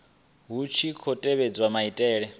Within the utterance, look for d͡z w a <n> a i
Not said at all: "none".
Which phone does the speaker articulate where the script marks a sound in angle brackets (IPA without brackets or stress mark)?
m